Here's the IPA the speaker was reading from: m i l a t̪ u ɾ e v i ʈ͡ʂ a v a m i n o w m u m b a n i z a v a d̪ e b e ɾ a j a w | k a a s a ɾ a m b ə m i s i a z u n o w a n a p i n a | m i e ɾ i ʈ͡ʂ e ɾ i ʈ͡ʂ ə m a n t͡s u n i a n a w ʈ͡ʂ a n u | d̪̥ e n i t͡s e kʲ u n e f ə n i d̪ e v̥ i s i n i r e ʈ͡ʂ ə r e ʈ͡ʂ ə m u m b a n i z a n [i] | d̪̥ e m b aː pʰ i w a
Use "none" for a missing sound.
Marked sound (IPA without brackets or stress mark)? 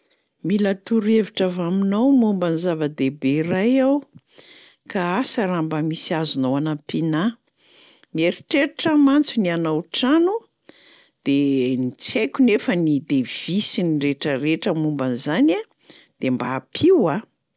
a